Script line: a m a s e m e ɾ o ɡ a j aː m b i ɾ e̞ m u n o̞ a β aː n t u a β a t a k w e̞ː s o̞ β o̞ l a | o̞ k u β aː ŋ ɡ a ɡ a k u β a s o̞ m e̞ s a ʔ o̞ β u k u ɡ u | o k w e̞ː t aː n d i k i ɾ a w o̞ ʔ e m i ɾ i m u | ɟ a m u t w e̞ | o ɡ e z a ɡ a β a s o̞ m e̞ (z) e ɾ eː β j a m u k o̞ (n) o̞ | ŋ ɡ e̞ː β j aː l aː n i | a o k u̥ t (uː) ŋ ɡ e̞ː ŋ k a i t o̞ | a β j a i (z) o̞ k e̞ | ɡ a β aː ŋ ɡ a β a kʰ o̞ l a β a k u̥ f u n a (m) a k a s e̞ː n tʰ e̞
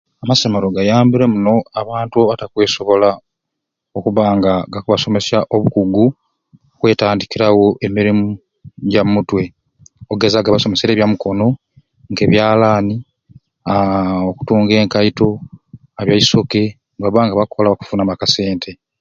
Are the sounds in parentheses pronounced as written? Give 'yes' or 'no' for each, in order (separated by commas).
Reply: no, yes, yes, no, yes